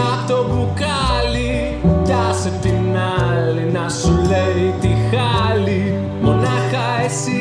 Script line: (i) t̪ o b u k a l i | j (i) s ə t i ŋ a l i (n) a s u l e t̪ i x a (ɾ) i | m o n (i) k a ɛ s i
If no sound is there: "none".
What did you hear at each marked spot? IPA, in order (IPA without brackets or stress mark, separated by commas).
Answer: a, a, n, l, a